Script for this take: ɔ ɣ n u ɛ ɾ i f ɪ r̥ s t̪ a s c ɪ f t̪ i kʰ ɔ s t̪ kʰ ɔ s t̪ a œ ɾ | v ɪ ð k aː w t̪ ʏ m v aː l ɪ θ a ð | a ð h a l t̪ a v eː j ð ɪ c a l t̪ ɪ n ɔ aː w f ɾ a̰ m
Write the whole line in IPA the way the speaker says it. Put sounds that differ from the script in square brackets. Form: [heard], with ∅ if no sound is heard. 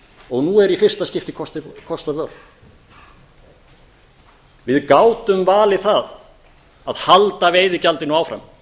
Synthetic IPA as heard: ɔ ɣ n u ɛ ɾ i f ɪ r̥ s t̪ a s c ɪ f t̪ [ɪ] kʰ ɔ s t̪ kʰ ɔ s t̪ a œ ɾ | v ɪ ð k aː w t̪ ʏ m v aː l ɪ θ a ð | a ð h a l t̪ a v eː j ð ɪ c a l t̪ ɪ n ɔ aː w f ɾ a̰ m